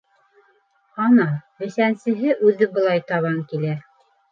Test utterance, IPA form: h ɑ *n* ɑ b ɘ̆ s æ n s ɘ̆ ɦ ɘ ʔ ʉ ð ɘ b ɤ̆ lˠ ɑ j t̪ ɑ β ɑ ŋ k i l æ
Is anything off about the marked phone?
no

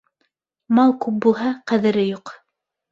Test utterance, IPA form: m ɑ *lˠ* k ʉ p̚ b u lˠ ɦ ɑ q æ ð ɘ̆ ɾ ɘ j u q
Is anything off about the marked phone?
no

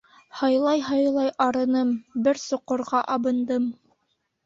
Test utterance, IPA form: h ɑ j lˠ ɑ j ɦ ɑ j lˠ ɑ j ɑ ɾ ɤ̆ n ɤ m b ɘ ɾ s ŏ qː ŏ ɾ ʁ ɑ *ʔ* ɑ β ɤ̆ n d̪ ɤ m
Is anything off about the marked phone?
no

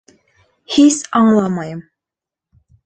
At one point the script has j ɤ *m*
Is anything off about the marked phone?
no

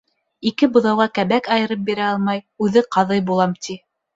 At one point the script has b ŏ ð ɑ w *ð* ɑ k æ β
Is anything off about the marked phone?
yes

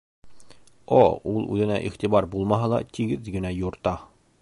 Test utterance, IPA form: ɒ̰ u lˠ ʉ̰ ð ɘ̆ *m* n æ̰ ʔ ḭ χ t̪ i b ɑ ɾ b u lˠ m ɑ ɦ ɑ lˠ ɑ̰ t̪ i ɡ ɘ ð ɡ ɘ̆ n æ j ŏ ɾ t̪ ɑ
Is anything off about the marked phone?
yes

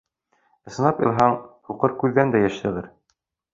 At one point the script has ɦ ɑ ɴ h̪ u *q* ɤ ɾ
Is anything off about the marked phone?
no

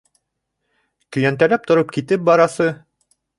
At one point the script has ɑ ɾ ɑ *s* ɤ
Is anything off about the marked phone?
no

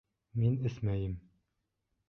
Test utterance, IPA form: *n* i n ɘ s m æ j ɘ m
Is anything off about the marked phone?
yes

